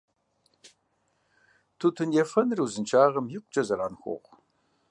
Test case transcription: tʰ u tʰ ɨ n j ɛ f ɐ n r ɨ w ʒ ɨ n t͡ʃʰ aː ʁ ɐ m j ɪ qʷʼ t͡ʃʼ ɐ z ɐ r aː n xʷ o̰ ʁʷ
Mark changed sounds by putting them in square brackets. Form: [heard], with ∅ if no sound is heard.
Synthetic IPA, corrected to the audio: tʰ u tʰ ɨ n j ɛ f ɐ n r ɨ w [z] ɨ n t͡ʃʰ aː ʁ ɐ m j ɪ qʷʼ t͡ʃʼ ɐ z ɐ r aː n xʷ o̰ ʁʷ